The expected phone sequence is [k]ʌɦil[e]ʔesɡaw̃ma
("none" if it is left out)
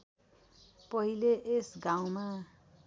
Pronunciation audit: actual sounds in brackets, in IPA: p, e

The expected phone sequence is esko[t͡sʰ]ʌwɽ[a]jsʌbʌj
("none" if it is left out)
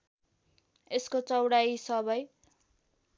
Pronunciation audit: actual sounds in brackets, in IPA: t͡s, a

